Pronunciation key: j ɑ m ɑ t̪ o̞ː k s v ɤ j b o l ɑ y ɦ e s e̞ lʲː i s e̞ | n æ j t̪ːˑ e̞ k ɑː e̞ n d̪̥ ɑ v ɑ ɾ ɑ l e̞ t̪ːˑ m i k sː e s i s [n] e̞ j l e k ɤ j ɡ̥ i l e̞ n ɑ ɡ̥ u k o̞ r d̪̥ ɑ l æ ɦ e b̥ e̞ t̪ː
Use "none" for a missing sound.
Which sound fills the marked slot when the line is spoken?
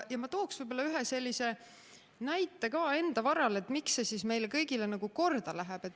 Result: m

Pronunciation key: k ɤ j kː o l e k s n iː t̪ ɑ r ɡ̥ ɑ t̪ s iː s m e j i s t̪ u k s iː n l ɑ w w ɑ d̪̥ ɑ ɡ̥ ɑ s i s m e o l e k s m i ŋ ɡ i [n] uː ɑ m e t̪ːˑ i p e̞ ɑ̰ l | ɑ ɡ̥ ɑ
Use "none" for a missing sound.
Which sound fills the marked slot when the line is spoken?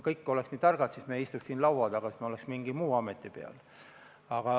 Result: m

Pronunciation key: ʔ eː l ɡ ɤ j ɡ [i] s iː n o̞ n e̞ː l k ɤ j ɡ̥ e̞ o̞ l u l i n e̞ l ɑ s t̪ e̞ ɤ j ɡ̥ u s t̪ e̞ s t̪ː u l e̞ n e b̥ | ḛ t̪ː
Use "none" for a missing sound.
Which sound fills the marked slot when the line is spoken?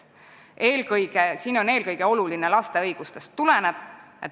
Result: e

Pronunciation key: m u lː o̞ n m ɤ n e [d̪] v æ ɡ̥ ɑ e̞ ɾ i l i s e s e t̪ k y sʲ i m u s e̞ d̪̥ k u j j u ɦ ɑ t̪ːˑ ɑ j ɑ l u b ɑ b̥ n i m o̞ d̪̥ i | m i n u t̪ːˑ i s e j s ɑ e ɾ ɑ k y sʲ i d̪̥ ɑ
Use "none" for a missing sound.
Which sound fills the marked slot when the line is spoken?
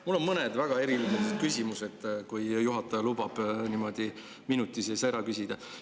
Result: d̪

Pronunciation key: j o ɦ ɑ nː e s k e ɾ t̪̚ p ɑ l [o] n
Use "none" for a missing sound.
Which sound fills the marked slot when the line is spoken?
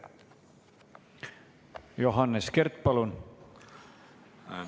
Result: u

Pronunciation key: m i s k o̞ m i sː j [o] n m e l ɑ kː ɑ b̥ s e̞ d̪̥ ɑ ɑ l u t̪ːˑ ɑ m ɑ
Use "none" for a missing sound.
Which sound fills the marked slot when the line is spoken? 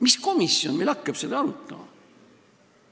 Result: o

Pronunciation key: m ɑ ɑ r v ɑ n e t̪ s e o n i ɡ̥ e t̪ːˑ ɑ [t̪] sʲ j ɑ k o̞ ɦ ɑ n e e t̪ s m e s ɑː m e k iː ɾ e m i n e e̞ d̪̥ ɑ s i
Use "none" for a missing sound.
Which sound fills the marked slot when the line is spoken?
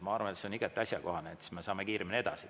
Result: none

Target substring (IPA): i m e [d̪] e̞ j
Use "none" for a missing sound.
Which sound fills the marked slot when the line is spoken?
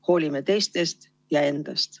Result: t̪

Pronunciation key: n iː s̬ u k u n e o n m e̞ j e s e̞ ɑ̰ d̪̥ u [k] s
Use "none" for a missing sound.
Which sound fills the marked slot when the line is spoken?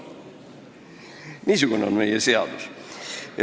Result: none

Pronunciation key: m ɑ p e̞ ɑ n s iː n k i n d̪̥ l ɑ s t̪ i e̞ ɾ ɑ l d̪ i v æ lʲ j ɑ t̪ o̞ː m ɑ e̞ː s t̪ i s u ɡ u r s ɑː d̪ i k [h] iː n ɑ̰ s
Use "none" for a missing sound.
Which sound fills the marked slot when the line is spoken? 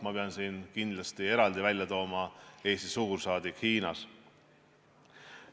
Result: h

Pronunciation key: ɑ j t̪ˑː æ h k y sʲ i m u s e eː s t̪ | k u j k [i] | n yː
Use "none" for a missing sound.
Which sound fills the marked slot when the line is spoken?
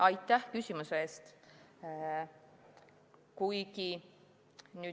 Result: i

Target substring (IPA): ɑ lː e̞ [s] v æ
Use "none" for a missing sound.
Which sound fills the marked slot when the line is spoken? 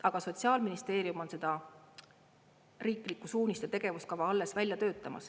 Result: s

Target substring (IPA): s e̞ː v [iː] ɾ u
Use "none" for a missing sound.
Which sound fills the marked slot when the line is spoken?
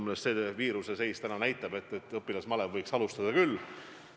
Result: iː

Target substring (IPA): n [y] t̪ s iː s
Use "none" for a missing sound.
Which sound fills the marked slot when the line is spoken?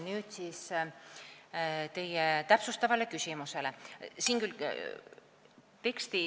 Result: yː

